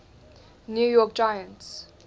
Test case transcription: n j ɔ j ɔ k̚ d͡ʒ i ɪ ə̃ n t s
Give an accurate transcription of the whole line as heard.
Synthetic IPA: n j u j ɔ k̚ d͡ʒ a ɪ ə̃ n t s